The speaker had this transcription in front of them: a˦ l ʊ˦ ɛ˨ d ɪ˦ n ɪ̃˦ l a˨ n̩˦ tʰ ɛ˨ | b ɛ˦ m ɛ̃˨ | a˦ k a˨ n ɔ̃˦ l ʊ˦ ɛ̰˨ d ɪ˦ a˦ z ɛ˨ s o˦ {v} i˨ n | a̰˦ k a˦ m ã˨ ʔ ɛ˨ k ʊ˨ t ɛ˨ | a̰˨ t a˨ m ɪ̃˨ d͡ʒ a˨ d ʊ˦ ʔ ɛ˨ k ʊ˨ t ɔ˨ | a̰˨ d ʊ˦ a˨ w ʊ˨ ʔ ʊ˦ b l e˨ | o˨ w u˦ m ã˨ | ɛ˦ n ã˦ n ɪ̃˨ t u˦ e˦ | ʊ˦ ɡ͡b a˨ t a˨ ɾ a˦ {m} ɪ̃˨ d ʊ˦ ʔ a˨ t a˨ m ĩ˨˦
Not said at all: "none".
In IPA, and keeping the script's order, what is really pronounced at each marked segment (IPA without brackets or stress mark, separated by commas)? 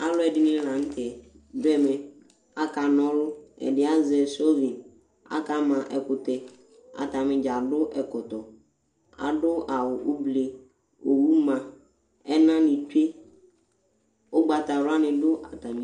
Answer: v, n